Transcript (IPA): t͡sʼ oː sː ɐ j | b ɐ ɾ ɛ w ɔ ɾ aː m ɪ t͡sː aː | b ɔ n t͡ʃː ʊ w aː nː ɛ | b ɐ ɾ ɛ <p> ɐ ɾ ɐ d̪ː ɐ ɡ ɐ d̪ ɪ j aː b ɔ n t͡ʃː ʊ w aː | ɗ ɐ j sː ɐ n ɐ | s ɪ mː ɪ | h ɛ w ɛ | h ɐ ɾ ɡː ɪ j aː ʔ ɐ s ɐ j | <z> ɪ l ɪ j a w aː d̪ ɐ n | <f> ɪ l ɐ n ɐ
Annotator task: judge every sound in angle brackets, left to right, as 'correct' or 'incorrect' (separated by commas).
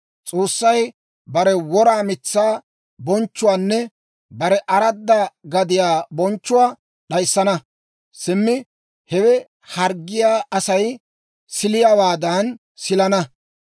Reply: incorrect, incorrect, incorrect